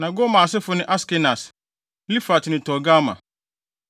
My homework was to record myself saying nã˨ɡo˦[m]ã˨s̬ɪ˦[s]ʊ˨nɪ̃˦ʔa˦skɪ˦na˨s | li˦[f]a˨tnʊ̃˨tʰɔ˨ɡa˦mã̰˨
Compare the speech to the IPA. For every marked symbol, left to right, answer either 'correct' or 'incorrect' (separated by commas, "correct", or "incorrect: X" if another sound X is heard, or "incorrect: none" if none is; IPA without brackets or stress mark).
correct, incorrect: f, correct